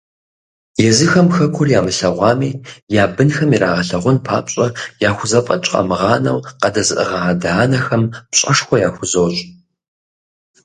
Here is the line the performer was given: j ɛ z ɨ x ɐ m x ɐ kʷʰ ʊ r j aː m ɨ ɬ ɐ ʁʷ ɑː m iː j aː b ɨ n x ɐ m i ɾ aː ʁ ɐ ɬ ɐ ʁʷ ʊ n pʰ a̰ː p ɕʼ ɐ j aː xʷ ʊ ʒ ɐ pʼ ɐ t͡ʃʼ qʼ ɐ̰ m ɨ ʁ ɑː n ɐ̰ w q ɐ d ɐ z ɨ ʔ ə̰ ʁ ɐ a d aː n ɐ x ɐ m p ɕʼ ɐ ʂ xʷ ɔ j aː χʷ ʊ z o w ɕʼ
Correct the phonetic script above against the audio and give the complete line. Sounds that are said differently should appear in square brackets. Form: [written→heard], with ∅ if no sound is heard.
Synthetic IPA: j ɛ z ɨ x ɐ m x ɐ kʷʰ ʊ r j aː m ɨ ɬ ɐ ʁʷ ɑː m iː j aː b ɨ n x ɐ m i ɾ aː ʁ ɐ ɬ ɐ ʁʷ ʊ n pʰ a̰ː p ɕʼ ɐ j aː xʷ ʊ [ʒ→z] ɐ pʼ ɐ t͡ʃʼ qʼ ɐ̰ m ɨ ʁ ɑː n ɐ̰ w q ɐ d ɐ z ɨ ʔ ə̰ ʁ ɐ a d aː n ɐ x ɐ m p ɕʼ ɐ ʂ xʷ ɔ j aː [χʷ→xʷ] ʊ z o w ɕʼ